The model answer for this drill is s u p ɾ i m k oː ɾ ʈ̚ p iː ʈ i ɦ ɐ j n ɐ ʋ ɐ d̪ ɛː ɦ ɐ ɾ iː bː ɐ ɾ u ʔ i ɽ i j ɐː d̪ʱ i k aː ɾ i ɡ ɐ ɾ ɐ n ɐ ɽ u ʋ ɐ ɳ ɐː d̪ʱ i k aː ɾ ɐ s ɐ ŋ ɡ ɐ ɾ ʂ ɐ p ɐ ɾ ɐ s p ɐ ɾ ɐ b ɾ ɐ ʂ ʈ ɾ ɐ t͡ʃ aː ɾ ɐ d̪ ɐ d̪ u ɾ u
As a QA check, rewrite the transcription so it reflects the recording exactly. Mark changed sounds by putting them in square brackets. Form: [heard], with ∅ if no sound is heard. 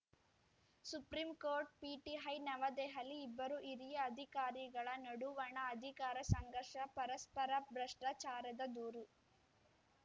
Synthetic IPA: s u p ɾ i m k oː ɾ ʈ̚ p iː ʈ i ɦ ɐ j n ɐ ʋ ɐ d̪ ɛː ɦ ɐ [l] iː bː ɐ ɾ u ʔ i [ɾ] i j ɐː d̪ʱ i k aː ɾ i ɡ ɐ [ɭ] ɐ n ɐ ɽ u ʋ ɐ ɳ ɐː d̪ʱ i k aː ɾ ɐ s ɐ ŋ ɡ ɐ ɾ ʂ ɐ p ɐ ɾ ɐ s p ɐ ɾ ɐ b ɾ ɐ ʂ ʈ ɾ ɐ t͡ʃ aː ɾ ɐ d̪ ɐ d̪ [uː] ɾ u